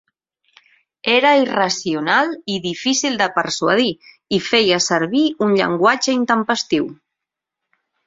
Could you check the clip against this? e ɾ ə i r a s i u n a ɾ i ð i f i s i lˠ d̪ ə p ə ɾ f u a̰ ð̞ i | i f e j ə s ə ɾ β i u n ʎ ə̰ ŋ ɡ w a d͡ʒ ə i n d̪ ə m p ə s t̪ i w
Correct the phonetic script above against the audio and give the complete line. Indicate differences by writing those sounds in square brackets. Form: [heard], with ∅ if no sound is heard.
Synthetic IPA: e ɾ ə i r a s i u n a [l] i ð i f i s i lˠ d̪ ə p ə ɾ [s] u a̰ ð̞ i | i f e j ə s ə ɾ β i u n ʎ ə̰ ŋ ɡ w a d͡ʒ ə i n [t̪] ə m p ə s t̪ i w